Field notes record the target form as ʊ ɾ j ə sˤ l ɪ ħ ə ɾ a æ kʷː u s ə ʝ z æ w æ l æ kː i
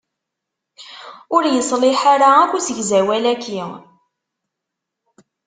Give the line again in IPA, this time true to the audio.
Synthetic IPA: ʊ ɾ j ə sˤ l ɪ ħ a ɾ a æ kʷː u s ə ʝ z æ w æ l æ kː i